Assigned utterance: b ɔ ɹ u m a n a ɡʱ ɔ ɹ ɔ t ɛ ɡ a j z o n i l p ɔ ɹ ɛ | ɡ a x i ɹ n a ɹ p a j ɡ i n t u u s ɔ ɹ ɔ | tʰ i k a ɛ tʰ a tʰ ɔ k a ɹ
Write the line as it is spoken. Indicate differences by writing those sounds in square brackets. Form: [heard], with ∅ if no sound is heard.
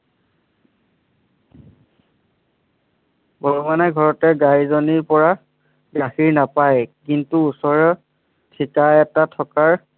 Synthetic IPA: b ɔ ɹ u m a n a ɡʱ ɔ ɹ ɔ t ɛ ɡ a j z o n i [ɹ] p ɔ ɹ [a] | ɡ a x i ɹ n a [∅] p a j [k] i n t u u s ɔ ɹ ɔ | tʰ i k a ɛ [t] a tʰ ɔ k a ɹ